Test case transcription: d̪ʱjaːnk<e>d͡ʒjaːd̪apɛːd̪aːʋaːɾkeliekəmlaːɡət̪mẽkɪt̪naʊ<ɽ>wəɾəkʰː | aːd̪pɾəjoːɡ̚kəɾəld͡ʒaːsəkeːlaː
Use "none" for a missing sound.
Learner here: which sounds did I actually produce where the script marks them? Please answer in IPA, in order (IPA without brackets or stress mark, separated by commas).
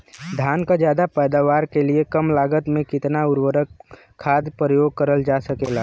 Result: a, ɾ